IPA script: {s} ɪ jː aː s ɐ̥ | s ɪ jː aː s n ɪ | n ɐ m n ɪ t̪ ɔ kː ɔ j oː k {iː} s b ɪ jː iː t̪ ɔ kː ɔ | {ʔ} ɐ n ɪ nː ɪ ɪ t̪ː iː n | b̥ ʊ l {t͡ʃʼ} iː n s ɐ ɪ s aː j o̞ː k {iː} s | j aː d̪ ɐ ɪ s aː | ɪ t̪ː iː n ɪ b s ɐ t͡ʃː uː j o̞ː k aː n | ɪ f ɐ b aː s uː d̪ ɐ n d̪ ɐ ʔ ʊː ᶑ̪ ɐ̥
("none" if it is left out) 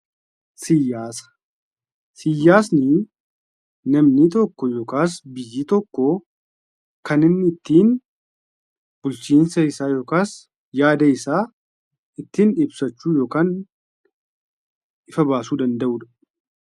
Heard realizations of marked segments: s, aː, k, t͡ʃ, aː

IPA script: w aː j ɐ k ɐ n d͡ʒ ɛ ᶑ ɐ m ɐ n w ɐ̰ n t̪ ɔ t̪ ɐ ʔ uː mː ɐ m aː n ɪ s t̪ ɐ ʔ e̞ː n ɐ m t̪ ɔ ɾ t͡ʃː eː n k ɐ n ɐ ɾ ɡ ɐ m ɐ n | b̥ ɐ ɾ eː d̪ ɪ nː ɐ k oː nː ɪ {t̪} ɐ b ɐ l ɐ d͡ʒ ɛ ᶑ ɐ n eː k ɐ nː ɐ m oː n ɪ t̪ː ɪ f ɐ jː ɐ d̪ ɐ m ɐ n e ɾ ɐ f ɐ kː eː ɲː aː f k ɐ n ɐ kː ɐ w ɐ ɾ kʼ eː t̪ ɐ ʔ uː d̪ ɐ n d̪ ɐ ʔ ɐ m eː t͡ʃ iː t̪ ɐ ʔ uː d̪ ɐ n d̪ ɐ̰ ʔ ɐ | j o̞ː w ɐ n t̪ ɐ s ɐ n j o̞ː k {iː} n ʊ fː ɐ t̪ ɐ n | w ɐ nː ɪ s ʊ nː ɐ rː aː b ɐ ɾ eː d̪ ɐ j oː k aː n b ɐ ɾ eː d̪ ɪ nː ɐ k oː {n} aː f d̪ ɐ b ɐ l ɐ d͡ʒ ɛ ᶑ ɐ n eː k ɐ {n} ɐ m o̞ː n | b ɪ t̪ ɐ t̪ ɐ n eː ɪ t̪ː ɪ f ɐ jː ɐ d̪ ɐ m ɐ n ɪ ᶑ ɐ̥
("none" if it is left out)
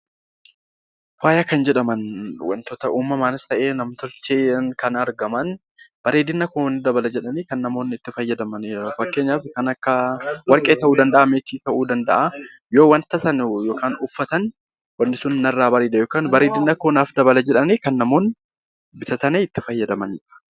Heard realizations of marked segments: d̪, aː, n, nː

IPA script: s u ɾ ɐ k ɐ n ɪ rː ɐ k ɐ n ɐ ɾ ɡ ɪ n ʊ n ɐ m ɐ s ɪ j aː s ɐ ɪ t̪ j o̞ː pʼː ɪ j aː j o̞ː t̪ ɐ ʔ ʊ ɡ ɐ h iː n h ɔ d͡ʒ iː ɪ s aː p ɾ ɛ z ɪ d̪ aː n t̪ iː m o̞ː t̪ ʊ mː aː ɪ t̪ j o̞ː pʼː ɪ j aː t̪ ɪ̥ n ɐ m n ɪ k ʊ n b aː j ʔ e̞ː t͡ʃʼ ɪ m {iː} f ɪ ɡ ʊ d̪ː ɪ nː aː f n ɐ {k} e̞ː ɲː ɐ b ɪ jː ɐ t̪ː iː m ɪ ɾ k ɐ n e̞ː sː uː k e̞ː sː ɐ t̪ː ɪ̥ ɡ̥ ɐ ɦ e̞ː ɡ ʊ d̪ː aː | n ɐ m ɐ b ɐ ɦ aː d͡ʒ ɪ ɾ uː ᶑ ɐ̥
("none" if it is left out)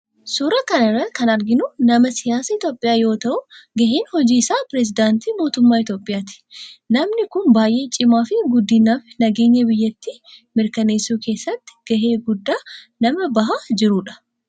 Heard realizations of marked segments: aː, ɡ

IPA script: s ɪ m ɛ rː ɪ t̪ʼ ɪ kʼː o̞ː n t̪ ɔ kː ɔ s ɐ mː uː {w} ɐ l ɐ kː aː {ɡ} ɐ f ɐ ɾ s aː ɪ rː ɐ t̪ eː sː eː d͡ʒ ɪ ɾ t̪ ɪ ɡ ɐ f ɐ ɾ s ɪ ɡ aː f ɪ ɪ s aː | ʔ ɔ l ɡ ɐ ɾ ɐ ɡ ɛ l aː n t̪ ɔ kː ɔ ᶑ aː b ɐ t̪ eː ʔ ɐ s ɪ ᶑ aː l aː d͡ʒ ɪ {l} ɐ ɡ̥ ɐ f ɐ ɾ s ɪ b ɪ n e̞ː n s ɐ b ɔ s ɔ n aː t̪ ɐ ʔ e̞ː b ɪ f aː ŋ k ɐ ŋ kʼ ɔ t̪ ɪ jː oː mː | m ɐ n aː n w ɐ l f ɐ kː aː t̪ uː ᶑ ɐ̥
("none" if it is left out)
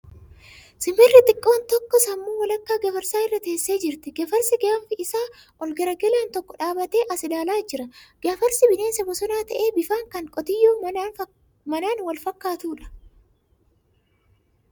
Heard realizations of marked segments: w, ɡ, ɾ

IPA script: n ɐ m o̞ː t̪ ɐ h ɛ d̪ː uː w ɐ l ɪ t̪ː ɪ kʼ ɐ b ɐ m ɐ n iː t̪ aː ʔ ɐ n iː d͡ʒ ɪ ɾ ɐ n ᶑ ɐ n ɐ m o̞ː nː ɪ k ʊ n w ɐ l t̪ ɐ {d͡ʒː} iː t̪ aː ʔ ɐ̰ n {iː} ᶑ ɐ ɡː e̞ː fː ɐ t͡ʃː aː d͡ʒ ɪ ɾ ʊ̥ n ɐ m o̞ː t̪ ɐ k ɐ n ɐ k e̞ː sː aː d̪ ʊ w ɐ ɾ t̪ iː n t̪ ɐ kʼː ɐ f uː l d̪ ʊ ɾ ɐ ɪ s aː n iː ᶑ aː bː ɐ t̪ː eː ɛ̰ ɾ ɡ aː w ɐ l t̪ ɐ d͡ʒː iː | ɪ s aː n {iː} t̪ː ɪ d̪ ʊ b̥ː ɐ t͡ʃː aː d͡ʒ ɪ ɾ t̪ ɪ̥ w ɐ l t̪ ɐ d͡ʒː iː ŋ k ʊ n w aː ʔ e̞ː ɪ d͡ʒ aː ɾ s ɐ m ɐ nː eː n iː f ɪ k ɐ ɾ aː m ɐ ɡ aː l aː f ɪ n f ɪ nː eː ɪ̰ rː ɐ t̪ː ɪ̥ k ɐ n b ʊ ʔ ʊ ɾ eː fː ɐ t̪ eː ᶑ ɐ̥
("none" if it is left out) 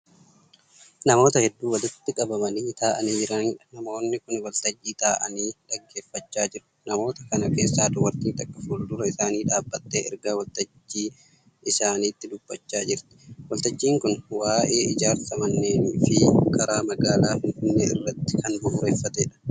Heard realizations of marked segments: d͡ʒː, iː, iː

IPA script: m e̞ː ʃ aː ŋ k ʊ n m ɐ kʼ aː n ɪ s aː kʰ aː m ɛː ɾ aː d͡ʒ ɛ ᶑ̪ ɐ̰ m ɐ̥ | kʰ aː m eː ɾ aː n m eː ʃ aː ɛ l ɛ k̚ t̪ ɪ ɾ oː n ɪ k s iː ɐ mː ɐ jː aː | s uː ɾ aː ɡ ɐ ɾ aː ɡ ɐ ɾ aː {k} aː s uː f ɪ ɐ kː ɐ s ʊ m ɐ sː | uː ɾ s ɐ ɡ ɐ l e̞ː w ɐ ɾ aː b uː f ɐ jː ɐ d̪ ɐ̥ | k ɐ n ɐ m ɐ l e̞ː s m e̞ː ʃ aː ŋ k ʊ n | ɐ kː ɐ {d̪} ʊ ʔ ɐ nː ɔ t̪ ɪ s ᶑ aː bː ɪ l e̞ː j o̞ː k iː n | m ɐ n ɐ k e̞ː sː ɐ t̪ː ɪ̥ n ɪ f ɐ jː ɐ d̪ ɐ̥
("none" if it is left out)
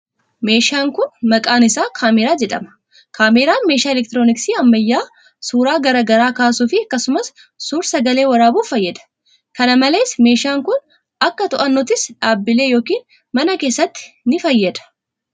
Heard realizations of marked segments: k, t̪

